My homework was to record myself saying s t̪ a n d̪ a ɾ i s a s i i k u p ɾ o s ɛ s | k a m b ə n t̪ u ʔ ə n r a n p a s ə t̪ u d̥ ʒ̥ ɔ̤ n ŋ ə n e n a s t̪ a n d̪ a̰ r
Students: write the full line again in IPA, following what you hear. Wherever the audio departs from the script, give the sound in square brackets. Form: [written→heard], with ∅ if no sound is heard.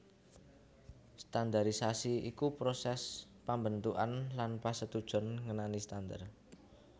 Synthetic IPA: s t̪ a n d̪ a ɾ i s a s i i k u p ɾ o s ɛ s | [k→p] a m b ə n t̪ u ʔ [ə→a] n [r→l] a n p a s ə t̪ u d̥ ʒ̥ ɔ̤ n ŋ ə n [e→a] n [a→i] s t̪ a n d̪ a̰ r